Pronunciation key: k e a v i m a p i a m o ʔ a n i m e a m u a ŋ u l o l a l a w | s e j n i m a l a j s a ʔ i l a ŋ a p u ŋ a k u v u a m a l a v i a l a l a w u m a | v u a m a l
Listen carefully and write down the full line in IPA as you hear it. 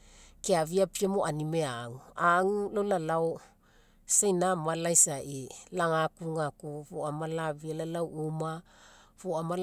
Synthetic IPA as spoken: k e a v i a p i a m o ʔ a n i m e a ŋ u a ŋ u l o l a l a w | s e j n a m a l a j s a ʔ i l a ŋ a k u ŋ a k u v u a m a l a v i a l a l a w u m a | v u a m a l